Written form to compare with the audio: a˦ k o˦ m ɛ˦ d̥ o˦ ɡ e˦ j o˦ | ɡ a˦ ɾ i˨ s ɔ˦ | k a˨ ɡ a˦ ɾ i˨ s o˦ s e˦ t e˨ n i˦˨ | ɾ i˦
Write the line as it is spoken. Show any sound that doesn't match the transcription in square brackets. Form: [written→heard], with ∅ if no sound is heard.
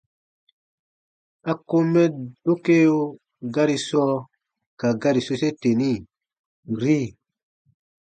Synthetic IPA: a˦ k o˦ m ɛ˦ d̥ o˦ [ɡ→k] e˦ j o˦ | ɡ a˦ ɾ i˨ s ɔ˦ | k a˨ ɡ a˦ ɾ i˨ s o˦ s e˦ t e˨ n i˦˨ | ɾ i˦